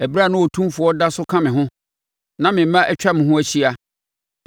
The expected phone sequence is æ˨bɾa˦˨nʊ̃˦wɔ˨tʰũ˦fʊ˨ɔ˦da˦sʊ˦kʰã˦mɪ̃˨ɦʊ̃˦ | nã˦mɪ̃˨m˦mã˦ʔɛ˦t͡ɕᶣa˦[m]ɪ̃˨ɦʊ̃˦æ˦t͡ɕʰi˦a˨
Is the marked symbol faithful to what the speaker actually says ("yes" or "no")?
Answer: yes